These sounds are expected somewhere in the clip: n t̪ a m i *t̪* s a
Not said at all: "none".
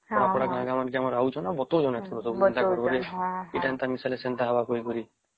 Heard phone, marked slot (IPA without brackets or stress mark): none